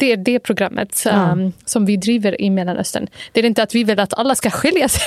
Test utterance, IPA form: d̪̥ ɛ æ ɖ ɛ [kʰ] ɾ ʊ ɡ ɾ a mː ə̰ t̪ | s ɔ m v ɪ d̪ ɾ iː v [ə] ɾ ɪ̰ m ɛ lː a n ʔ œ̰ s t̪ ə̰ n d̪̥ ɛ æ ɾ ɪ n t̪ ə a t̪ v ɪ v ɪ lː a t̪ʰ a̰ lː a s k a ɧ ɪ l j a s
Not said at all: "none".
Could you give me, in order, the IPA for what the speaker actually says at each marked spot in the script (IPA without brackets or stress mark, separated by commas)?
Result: pʰ, ə